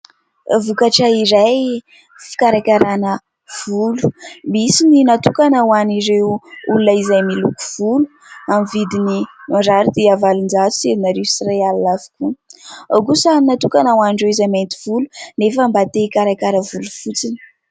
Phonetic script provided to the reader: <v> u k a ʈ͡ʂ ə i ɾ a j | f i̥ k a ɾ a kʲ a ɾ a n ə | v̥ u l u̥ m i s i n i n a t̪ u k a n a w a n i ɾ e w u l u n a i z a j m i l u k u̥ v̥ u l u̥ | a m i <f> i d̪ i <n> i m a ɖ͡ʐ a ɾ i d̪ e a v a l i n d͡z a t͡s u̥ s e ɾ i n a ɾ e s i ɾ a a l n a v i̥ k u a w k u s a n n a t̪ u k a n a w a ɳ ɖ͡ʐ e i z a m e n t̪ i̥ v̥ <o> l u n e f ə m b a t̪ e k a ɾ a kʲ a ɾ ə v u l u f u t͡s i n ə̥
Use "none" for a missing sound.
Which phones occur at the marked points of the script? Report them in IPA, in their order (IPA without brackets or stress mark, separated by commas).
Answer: v, v, n, u